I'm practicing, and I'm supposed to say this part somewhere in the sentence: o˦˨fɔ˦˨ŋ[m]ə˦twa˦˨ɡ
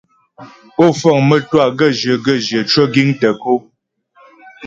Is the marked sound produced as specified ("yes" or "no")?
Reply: yes